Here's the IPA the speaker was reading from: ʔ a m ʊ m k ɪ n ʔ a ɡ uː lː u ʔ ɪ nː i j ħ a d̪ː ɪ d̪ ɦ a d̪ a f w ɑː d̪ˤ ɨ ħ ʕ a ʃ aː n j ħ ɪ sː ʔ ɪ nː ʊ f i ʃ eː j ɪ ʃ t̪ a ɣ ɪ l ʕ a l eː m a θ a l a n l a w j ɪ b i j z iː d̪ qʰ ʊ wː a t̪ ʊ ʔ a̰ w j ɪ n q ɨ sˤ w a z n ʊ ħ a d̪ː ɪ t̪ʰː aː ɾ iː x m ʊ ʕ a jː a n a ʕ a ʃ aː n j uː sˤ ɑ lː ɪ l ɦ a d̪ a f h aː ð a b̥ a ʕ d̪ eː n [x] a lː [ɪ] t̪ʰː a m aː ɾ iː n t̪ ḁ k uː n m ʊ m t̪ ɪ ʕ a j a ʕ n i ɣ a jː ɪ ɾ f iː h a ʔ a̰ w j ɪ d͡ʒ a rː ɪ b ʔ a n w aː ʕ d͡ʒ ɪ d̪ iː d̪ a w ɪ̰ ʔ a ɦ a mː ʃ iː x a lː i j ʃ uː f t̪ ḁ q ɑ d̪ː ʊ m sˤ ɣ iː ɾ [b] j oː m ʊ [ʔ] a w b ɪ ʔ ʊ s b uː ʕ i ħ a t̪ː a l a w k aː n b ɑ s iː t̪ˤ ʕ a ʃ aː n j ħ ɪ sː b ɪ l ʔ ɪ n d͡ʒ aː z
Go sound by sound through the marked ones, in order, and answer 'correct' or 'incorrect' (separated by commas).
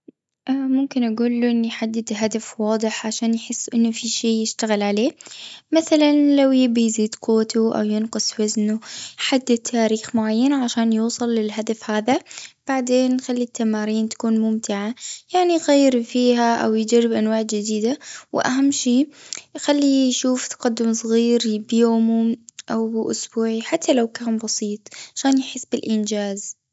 correct, incorrect, correct, correct